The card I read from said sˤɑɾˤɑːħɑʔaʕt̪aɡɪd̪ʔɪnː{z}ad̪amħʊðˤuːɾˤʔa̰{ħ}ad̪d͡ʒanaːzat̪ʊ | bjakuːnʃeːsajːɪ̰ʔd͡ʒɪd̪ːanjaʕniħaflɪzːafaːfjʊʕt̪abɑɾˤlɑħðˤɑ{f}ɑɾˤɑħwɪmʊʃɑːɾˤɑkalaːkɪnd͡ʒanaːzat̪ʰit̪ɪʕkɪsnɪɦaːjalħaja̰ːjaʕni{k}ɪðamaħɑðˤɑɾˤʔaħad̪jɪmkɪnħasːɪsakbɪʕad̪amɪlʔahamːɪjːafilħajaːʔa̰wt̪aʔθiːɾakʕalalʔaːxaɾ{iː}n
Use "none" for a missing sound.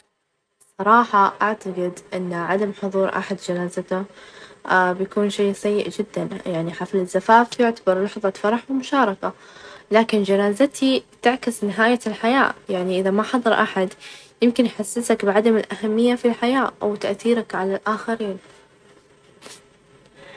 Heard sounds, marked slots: ʕ, ħ, f, ʔ, iː

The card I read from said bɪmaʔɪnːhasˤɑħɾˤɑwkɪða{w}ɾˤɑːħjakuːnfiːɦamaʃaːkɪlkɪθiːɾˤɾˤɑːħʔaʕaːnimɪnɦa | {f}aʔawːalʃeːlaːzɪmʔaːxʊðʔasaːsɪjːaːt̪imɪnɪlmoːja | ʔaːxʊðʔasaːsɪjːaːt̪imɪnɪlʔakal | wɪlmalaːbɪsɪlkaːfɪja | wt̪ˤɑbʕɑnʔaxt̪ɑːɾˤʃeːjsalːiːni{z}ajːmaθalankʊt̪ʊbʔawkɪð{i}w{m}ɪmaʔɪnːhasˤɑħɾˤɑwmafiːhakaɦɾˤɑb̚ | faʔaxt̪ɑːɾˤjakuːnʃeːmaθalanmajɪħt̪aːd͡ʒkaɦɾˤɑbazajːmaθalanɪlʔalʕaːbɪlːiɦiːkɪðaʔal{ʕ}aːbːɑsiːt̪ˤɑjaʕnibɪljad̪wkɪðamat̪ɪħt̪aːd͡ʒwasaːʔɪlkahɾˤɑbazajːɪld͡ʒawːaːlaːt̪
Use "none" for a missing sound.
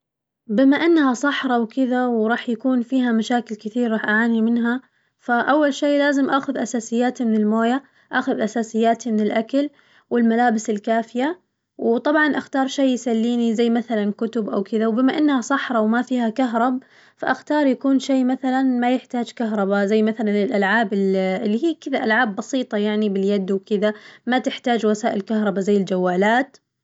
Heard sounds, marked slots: w, f, z, a, b, ʕ

